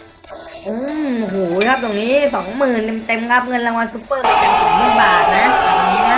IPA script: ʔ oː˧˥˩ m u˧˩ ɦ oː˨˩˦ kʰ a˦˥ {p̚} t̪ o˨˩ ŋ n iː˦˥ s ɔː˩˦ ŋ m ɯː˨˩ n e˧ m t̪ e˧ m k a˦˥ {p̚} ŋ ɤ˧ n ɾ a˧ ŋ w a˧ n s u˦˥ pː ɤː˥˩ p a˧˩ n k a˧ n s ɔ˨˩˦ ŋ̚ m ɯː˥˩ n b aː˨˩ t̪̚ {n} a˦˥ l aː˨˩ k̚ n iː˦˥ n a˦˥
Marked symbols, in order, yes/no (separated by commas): yes, yes, yes